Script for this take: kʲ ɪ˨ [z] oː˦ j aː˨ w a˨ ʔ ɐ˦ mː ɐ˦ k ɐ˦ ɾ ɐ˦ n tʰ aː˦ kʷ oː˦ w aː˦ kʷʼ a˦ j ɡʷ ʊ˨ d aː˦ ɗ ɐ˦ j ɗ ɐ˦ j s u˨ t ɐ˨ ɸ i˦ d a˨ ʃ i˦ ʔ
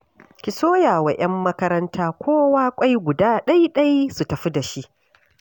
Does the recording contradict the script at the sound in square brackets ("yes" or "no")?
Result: yes